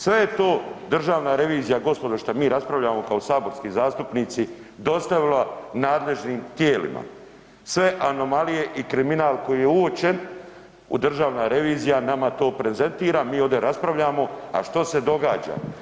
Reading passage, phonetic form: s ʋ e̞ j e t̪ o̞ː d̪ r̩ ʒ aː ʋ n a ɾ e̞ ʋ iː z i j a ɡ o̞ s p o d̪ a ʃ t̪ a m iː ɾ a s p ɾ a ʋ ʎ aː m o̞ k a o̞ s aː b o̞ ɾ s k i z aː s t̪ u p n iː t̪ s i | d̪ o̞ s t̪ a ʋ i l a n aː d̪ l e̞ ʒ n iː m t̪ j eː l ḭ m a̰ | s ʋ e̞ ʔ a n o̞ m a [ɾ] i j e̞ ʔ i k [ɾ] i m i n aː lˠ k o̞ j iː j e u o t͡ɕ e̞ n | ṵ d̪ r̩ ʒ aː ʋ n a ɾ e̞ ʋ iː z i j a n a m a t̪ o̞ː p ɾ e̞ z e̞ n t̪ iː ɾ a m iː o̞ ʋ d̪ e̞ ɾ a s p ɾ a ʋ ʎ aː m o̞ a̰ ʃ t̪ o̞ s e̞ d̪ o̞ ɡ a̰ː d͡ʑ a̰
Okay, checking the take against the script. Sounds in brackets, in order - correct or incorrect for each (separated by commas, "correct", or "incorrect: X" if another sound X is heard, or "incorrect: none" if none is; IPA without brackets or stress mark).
incorrect: l, correct